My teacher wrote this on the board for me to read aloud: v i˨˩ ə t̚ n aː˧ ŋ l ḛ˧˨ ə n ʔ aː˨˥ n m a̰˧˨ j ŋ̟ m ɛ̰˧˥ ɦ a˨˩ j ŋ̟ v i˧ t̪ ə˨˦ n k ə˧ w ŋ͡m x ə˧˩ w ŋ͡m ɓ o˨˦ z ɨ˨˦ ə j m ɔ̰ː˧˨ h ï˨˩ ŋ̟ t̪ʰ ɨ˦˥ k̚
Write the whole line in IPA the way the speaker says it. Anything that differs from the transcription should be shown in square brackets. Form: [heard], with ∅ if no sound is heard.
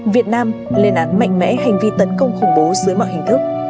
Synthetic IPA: v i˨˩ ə t̚ n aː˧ [m] l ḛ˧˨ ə n ʔ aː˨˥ n m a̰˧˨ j ŋ̟ m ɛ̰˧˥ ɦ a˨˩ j ŋ̟ v i˧ t̪ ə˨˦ n k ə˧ w ŋ͡m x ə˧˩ w ŋ͡m ɓ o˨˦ z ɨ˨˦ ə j m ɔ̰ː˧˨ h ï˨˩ ŋ̟ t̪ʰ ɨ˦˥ k̚